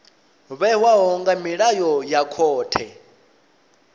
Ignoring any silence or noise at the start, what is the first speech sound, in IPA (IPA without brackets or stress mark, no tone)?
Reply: β